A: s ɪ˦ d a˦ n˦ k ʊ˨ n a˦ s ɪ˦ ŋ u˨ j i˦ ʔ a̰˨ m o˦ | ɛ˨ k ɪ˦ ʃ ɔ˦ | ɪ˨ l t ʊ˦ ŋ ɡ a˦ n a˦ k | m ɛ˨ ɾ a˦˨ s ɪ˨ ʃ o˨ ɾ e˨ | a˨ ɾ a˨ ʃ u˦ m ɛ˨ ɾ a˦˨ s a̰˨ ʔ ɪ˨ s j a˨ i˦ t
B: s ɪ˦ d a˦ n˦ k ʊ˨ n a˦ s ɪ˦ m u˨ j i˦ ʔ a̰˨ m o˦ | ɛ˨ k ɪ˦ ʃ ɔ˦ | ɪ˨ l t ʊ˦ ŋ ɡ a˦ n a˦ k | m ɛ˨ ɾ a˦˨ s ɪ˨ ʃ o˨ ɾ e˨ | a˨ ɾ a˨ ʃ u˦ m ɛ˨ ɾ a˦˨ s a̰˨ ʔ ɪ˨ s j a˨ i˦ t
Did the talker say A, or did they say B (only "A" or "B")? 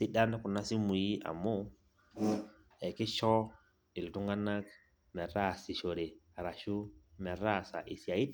B